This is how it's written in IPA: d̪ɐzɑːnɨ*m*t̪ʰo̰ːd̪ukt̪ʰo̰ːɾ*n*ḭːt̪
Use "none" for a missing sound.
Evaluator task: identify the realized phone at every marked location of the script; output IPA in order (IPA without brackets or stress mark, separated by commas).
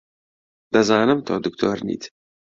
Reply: m, n